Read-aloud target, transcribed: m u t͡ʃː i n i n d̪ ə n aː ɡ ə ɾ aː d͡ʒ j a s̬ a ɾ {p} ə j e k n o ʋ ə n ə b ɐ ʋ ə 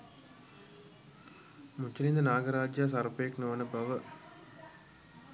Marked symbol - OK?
yes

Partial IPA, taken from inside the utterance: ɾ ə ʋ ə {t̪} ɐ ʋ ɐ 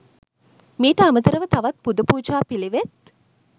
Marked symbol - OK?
yes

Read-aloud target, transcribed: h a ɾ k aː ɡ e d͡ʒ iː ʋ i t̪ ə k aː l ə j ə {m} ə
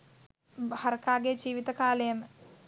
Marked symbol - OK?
yes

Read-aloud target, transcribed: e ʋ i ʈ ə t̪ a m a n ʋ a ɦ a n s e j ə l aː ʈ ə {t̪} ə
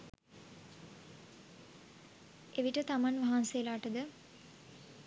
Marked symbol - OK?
no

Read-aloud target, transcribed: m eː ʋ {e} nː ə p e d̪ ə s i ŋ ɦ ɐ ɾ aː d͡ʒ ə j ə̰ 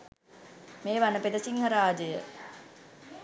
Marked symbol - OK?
no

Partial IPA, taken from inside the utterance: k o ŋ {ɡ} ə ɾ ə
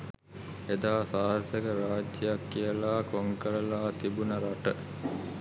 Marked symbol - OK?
no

